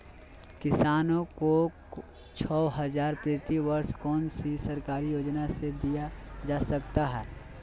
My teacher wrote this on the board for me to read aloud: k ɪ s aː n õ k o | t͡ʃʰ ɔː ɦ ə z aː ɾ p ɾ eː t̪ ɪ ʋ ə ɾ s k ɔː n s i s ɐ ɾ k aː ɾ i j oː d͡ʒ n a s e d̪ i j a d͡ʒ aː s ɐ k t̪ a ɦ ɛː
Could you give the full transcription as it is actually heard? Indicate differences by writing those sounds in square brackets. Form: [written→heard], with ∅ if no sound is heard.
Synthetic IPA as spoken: k ɪ s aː n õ k o | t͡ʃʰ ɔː ɦ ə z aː ɾ p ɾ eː t̪ [ɪ→i] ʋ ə ɾ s k ɔː n s i s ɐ ɾ k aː ɾ i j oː d͡ʒ n a s e d̪ i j a d͡ʒ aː s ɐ k t̪ a ɦ ɛː